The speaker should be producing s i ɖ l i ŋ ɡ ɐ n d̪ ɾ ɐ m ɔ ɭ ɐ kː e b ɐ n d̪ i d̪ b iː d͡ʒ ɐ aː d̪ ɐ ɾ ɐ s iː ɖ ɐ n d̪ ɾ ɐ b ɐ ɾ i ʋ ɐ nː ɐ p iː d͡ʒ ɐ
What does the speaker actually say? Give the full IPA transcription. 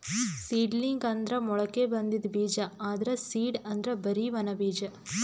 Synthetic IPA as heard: s iː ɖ l i ŋ ɡ ɐ n d̪ ɾ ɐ m ɔ ɭ ɐ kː e b ɐ n d̪ i d̪ b iː d͡ʒ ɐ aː d̪ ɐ ɾ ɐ s iː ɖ ɐ n d̪ ɾ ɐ b ɐ ɾ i ʋ ɐ n ɐ b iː d͡ʒ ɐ